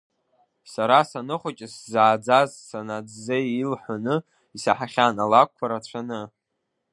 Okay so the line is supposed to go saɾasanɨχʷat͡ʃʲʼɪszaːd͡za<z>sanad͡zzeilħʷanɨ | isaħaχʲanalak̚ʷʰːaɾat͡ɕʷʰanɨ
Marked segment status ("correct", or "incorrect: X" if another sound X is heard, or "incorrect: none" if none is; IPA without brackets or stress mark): correct